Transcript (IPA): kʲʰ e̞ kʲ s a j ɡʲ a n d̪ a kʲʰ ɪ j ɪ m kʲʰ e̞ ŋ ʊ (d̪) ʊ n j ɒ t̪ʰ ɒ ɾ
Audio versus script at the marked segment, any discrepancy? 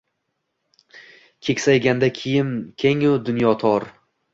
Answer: no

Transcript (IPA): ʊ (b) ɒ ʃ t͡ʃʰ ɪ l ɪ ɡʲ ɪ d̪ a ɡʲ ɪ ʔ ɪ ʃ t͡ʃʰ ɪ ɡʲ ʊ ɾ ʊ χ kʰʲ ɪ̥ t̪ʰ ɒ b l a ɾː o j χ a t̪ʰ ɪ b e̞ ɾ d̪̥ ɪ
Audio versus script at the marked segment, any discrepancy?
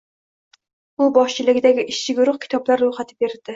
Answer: no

